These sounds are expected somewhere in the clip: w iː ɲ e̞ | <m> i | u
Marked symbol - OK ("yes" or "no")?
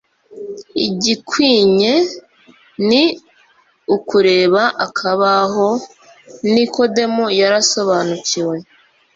no